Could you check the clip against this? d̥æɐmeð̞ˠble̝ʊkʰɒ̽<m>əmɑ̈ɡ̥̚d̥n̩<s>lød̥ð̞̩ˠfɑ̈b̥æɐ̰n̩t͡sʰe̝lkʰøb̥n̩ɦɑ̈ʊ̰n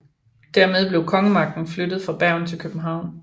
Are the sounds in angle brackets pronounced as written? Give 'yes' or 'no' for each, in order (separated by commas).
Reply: no, no